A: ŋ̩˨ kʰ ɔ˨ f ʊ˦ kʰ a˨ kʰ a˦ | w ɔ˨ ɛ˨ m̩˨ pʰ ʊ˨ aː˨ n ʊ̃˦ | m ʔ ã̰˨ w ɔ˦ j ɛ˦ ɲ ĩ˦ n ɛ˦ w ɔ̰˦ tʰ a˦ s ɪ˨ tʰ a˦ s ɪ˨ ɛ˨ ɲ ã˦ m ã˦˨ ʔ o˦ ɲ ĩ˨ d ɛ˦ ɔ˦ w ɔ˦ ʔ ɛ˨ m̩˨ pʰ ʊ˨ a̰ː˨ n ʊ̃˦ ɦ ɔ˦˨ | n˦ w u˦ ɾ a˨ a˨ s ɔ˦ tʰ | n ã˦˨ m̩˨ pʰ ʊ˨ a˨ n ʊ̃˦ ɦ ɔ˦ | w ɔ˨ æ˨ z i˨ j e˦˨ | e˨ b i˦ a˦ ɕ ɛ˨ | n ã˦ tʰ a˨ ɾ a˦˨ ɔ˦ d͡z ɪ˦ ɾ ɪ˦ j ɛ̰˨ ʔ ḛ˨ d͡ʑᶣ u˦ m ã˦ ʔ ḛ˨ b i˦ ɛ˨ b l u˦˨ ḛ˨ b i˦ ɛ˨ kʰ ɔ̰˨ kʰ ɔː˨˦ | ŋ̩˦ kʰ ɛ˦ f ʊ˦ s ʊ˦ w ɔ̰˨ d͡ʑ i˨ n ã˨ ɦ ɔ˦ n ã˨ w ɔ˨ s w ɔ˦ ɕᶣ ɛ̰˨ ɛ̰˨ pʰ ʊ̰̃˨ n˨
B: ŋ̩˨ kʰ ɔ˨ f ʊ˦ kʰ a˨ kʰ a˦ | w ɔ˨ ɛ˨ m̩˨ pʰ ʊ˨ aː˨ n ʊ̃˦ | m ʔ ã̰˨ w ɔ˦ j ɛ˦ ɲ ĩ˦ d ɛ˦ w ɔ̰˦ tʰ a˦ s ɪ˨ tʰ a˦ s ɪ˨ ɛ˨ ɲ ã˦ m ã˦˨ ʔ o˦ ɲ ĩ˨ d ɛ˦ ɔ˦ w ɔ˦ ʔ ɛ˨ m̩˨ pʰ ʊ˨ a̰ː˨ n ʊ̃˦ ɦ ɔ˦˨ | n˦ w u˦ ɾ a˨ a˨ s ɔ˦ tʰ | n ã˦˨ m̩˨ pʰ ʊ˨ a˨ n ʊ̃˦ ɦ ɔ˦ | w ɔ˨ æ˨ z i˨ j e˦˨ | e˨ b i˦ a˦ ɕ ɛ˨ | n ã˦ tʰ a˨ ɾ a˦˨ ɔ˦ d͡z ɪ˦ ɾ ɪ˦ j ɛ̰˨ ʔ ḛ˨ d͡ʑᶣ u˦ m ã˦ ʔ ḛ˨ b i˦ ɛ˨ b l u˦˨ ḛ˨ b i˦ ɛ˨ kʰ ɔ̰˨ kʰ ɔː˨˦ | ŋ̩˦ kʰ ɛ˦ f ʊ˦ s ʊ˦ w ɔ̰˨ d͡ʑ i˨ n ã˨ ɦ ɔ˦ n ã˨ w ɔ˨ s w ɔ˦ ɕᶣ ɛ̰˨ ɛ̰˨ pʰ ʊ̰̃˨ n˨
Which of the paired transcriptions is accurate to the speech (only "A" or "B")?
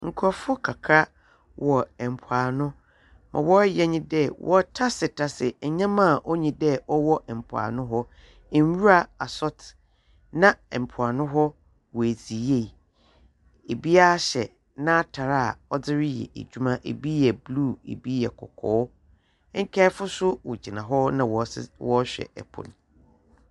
B